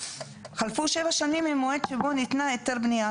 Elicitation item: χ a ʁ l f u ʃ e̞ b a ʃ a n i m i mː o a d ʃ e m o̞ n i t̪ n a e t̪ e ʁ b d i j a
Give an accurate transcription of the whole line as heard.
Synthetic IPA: χ a l f u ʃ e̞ v a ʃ a n i m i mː o e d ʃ e b o̞ n i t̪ n a e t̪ e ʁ b n i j a